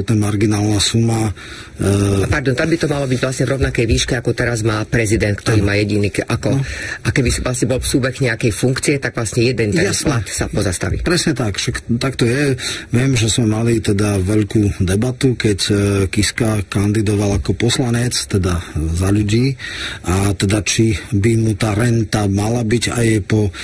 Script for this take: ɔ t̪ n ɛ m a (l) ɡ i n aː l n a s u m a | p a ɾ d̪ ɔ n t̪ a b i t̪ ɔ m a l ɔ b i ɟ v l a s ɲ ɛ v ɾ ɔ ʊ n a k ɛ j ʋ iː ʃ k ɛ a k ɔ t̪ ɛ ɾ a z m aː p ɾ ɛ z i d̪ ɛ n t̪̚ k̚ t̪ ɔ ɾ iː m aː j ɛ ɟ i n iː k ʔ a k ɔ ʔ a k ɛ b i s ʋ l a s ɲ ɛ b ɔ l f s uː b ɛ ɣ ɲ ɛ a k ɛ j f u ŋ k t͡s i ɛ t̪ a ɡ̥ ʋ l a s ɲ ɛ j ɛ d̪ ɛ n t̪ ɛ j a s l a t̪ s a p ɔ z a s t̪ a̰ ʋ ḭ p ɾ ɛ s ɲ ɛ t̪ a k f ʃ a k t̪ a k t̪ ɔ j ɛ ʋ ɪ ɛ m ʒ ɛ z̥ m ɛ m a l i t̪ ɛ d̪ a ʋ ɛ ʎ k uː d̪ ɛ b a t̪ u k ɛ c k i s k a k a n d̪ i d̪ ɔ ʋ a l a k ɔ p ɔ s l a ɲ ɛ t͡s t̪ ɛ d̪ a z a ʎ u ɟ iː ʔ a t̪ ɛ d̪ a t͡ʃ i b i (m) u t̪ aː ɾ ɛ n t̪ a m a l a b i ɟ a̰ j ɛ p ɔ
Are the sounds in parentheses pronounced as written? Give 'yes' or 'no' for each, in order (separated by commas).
no, yes